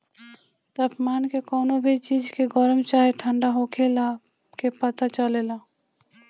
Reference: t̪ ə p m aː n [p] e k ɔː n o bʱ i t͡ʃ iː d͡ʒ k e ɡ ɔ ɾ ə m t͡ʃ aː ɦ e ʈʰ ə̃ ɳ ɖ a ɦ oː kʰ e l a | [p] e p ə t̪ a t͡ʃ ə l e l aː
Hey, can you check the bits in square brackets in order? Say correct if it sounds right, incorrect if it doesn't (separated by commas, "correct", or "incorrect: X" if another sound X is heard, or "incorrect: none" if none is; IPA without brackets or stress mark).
incorrect: k, incorrect: k